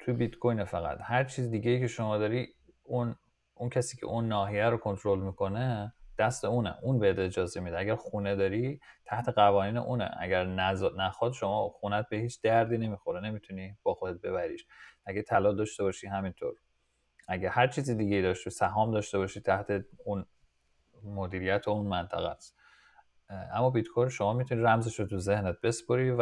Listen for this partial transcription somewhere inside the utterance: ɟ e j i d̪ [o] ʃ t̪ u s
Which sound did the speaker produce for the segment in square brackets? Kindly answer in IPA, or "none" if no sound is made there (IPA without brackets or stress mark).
ɒ